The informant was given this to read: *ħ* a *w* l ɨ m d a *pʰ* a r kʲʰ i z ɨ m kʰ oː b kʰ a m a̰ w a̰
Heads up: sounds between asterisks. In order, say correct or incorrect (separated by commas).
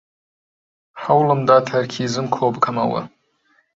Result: correct, correct, incorrect